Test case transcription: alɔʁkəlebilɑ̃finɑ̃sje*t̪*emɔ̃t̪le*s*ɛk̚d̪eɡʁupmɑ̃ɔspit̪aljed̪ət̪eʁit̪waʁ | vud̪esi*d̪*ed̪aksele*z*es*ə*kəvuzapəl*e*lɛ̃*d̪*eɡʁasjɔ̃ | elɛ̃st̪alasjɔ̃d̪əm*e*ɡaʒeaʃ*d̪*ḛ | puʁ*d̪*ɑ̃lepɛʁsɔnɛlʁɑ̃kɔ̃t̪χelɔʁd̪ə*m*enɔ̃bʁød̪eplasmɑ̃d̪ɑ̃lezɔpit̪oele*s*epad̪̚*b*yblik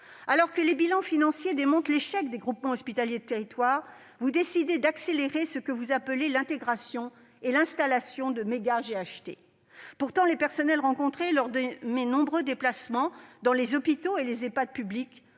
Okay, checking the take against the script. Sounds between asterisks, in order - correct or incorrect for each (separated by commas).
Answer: incorrect, incorrect, correct, incorrect, correct, correct, incorrect, correct, incorrect, incorrect, correct, incorrect, incorrect